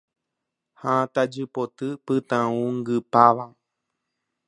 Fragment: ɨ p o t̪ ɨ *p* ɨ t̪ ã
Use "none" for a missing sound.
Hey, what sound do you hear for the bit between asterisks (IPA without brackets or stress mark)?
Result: p